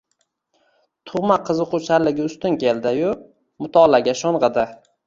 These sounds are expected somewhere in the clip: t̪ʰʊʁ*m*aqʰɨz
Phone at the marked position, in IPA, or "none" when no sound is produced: m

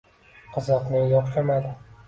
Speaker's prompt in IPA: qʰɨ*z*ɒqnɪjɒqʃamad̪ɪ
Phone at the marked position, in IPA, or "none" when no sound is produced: z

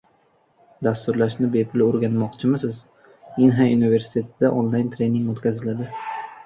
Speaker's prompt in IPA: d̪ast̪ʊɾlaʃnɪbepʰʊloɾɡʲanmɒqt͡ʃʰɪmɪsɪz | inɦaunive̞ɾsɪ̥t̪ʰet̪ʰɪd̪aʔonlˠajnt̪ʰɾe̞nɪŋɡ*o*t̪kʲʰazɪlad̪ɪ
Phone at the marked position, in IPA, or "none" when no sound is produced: o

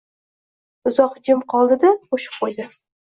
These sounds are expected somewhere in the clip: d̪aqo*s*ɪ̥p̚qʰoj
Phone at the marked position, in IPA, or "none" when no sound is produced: ʃ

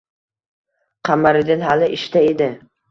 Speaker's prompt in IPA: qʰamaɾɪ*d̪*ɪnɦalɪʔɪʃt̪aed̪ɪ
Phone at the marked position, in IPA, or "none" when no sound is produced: d̪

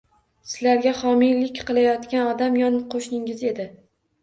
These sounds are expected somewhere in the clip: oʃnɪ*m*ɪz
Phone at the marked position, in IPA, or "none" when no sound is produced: ŋ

